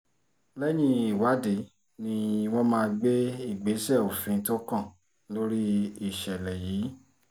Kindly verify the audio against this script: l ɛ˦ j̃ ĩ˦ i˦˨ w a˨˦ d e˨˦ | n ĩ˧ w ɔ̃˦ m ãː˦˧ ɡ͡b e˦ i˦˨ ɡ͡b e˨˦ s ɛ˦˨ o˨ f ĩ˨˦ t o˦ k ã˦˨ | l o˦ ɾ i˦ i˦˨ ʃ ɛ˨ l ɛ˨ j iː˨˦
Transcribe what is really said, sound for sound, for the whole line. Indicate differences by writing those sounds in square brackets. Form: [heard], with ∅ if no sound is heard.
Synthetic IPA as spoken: l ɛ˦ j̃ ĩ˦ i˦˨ w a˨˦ d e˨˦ | n ĩ˧ w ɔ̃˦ m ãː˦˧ ɡ͡b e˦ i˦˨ ɡ͡b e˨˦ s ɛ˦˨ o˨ f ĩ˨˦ t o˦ k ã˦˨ | l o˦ ɾ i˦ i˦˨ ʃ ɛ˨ l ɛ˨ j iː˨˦

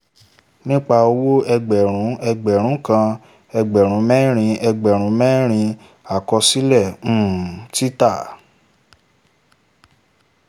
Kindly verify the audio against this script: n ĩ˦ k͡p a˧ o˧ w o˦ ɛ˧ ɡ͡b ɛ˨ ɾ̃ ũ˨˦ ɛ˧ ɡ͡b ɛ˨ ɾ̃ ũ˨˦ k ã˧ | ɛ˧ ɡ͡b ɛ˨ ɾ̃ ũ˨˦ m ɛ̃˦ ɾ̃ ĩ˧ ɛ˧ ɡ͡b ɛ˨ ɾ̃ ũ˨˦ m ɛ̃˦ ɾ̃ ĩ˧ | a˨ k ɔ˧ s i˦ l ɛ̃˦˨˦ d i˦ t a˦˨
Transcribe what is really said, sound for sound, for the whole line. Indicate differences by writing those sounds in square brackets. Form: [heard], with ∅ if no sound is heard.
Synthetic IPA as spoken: n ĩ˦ k͡p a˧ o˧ w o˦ ɛ˧ ɡ͡b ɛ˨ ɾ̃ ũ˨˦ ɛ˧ ɡ͡b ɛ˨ ɾ̃ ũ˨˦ k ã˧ | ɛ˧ ɡ͡b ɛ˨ ɾ̃ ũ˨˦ m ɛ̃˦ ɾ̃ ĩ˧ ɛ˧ ɡ͡b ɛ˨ ɾ̃ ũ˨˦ m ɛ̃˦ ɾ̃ ĩ˧ | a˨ k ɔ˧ s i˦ l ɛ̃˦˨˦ [t] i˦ t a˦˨

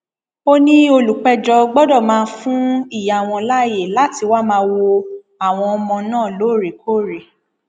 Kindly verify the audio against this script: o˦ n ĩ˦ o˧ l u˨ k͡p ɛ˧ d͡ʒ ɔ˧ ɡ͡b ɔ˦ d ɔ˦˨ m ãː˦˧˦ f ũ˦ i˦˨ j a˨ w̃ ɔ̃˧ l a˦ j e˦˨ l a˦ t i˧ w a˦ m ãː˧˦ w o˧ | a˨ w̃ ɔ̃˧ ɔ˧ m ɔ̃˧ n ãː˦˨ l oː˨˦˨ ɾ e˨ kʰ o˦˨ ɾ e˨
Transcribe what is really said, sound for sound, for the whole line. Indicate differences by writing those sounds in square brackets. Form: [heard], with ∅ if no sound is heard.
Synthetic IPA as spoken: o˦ n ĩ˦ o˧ l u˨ k͡p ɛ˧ d͡ʒ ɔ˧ ɡ͡b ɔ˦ d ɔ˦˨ m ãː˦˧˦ f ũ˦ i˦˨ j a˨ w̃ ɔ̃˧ l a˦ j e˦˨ l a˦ t i˧ w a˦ m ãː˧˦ w o˧ | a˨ w̃ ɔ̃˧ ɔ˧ m ɔ̃˧ n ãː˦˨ l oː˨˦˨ ɾ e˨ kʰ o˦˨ ɾ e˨

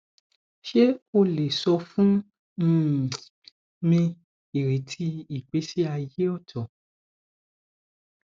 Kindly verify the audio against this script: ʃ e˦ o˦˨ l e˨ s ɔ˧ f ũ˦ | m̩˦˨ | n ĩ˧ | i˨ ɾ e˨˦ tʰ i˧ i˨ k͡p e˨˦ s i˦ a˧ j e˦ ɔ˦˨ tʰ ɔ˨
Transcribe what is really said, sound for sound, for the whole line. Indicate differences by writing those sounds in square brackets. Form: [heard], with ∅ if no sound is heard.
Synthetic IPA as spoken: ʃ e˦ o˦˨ l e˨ s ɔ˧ f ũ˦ | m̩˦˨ | [m] ĩ˧ | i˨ ɾ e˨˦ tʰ i˧ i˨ k͡p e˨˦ s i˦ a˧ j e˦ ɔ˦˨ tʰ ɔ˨

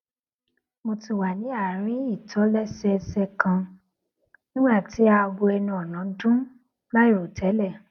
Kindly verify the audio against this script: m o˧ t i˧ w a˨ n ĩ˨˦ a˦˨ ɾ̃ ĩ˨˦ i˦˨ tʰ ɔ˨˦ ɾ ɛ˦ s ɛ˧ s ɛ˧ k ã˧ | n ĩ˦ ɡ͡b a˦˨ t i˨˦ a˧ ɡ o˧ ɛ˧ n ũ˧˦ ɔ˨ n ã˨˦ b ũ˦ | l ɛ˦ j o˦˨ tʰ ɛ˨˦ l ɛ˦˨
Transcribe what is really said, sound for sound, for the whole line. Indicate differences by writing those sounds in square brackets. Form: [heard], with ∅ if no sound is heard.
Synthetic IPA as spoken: m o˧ t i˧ w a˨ n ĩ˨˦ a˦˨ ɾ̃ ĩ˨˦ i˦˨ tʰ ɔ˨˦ [l] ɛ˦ s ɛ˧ s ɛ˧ k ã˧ | n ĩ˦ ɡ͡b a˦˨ t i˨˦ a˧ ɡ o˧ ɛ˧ n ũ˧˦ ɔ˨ n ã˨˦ [d] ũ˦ | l [a˦] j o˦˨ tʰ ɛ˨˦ l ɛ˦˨

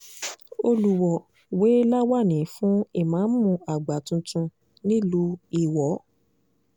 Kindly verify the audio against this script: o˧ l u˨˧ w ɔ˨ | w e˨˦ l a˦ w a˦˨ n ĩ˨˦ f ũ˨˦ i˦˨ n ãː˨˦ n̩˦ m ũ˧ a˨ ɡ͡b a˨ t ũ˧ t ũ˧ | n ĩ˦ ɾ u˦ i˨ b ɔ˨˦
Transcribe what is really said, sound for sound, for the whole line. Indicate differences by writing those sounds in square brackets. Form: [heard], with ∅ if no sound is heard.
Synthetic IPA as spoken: o˧ l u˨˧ w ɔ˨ | w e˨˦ l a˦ w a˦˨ n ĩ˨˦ f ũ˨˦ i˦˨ [m] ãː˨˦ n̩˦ m ũ˧ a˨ ɡ͡b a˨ t ũ˧ t ũ˧ | n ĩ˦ [l] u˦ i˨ [w] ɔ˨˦

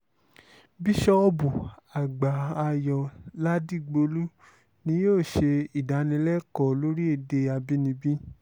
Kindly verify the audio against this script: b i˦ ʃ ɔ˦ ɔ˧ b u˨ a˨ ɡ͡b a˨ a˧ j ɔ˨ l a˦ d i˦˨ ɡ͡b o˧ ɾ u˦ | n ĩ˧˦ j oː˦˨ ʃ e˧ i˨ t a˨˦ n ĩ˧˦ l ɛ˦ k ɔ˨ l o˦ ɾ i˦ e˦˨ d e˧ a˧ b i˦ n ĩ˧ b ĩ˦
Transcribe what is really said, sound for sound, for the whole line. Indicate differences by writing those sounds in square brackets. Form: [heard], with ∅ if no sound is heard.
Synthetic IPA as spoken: b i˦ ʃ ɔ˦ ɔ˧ b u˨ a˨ ɡ͡b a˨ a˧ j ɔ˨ l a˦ d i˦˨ ɡ͡b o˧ [l] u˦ | n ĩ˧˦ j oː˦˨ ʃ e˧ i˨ [d] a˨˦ n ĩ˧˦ l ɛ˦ k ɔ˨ l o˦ ɾ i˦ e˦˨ d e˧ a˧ b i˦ n ĩ˧ b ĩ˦

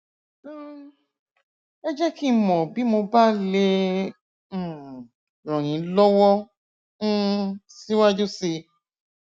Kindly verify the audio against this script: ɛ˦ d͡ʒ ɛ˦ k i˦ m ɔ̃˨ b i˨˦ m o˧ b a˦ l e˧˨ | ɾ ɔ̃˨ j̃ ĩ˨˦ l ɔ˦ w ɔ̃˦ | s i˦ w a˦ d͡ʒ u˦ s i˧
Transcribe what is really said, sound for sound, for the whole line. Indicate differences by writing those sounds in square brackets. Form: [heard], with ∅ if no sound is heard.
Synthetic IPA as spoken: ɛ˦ d͡ʒ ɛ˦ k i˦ m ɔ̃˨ b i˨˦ m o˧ b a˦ l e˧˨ | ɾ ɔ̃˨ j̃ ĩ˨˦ l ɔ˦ w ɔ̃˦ | s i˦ w a˦ d͡ʒ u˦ s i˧

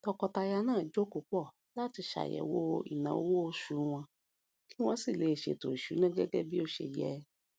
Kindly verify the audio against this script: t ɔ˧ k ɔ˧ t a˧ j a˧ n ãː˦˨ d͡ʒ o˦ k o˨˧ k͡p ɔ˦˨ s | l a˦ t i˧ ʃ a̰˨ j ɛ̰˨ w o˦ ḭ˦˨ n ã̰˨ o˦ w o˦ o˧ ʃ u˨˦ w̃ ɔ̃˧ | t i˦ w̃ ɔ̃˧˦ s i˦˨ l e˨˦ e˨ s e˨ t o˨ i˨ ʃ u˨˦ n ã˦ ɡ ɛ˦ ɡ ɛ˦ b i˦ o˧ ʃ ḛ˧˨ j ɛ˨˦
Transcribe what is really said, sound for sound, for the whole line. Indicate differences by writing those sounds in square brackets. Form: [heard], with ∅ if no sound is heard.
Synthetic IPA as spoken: t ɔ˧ k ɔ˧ t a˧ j a˧ n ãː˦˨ d͡ʒ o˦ k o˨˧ k͡p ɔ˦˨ [∅] | l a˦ t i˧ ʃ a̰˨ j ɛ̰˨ w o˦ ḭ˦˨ n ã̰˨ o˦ w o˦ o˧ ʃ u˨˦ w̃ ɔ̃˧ | [k] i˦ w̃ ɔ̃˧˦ s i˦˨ l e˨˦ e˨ [ʃ] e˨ t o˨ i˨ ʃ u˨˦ n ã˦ ɡ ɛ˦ ɡ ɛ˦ b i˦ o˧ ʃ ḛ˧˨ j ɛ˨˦

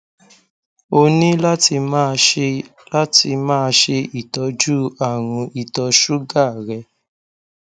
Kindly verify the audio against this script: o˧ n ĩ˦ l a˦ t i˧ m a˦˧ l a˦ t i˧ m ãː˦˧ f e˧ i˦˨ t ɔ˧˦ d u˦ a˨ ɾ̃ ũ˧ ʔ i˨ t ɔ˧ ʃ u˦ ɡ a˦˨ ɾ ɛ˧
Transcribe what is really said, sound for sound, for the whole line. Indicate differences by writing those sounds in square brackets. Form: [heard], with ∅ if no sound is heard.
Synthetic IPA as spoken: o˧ n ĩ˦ l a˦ t i˧ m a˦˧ l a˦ t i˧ m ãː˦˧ [ʃ] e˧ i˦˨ t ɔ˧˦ [d͡ʒ] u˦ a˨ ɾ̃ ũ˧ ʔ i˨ t ɔ˧ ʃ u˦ ɡ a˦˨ ɾ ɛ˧

